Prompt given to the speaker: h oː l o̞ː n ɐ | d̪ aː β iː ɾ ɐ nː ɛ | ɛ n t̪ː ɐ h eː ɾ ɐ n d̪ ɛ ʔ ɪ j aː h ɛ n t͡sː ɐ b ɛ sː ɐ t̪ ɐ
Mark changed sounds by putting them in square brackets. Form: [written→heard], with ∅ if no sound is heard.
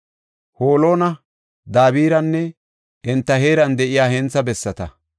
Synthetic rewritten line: h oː l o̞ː n ɐ | d̪ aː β iː ɾ ɐ nː ɛ | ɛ n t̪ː ɐ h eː ɾ ɐ n d̪ ɛ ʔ ɪ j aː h ɛ n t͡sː ɐ b ɛ sː ɐ t̪ ɐ